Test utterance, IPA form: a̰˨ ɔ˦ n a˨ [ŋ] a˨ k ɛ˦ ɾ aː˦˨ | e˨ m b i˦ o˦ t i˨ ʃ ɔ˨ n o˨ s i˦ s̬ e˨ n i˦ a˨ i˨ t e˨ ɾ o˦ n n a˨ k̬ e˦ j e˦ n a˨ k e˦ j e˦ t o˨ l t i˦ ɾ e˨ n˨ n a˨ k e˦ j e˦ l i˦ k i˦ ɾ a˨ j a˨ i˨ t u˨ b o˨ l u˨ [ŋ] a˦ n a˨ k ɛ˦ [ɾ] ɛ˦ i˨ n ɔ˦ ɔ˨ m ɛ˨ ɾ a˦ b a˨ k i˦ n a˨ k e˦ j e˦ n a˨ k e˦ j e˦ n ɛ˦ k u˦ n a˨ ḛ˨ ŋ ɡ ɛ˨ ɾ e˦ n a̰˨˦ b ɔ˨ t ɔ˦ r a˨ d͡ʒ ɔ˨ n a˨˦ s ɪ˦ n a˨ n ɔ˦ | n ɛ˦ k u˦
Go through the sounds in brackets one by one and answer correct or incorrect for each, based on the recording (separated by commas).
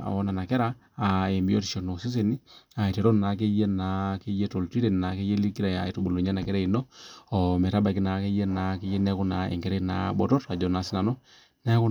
incorrect, incorrect, correct